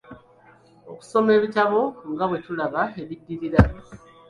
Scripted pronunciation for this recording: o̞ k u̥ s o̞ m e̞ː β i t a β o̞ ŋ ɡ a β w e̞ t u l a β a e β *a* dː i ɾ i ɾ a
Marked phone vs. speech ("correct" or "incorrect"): incorrect